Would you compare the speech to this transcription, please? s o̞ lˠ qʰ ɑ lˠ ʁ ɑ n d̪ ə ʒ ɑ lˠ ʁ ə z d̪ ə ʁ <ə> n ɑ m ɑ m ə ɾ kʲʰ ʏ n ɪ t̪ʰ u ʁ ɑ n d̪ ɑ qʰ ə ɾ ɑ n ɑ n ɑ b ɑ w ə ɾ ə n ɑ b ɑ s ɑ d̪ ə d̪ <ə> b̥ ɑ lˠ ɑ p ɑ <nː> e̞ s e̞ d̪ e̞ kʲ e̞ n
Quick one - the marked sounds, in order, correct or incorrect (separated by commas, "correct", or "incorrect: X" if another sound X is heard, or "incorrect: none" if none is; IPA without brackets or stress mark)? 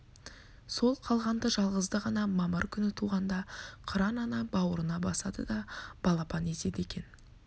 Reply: incorrect: ɑ, incorrect: ɑ, incorrect: n